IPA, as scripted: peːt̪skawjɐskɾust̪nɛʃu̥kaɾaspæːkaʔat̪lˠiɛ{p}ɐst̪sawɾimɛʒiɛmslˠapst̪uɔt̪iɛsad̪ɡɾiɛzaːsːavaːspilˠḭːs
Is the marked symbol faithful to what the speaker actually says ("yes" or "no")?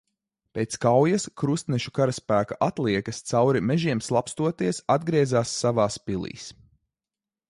no